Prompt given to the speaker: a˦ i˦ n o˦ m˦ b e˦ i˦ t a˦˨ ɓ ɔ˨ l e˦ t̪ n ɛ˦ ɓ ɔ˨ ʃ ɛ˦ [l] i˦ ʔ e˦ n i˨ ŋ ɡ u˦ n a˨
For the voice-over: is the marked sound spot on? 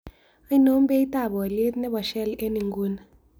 yes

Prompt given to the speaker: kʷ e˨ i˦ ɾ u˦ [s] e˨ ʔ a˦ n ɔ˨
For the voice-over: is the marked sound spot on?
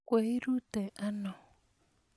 no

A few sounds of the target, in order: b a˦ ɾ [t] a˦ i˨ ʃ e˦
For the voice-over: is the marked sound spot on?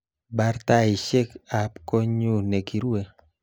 yes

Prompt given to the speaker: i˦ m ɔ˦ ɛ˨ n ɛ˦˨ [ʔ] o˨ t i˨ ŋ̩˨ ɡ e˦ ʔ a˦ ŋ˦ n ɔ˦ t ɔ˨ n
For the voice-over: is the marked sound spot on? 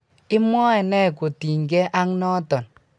no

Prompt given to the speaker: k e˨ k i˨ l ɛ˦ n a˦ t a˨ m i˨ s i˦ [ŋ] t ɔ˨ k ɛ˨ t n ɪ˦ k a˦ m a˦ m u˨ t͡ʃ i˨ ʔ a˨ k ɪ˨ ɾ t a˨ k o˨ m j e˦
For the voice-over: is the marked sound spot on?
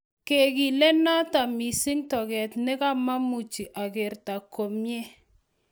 yes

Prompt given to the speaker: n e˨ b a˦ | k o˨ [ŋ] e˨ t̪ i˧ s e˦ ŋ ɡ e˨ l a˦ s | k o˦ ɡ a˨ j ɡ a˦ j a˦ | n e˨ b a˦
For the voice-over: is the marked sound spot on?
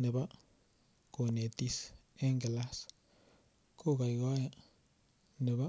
no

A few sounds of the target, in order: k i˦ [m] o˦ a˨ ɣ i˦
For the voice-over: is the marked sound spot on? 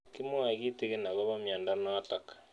yes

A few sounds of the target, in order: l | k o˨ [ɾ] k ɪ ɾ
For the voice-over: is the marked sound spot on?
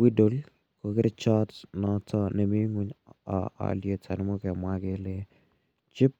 no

